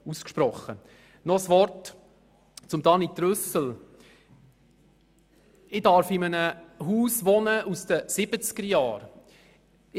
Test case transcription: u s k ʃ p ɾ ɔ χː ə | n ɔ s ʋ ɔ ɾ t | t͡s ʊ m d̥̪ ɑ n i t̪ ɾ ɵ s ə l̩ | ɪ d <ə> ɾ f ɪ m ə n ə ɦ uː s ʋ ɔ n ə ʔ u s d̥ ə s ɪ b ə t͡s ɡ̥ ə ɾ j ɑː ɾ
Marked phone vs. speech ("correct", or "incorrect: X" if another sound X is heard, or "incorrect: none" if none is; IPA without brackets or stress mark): incorrect: ɑ